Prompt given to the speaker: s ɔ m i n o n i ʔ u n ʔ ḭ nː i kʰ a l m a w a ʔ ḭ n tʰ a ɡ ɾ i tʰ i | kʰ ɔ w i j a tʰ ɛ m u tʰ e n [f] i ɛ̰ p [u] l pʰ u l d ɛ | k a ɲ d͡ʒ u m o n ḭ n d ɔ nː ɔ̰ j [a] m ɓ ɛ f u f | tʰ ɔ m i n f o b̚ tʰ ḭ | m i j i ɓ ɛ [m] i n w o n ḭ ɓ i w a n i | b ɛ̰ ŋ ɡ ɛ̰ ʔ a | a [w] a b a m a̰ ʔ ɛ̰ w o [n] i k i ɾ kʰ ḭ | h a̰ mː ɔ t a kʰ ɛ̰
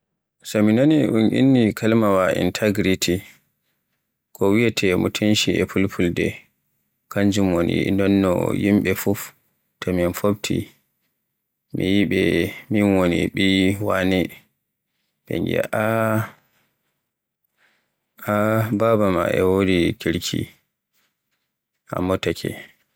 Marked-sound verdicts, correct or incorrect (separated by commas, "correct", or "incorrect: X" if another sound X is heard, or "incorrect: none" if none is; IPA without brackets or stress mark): incorrect: ʃ, correct, incorrect: i, correct, incorrect: b, incorrect: d